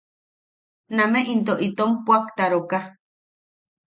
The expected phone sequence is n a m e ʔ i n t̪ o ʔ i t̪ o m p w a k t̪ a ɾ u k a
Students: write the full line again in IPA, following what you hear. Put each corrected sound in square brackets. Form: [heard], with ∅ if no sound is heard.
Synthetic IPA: n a m e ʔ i n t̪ o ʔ i t̪ o m p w a k t̪ a ɾ [o] k a